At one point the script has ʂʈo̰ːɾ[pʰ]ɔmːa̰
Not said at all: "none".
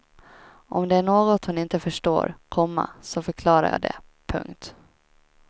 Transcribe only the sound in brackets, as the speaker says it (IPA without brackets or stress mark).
kʰ